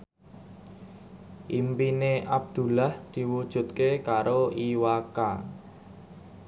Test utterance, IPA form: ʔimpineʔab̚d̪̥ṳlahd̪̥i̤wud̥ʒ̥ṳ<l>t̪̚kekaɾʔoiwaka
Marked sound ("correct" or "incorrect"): incorrect